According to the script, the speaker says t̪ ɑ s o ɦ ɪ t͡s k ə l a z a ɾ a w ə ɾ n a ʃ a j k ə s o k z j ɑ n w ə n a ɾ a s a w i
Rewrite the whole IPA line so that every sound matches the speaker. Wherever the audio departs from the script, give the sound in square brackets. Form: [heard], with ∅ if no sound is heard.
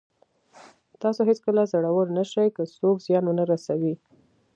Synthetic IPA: t̪ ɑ s o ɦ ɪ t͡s k ə l a z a [ɽ] a w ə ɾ n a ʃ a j k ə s o k z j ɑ n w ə n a ɾ a s a w i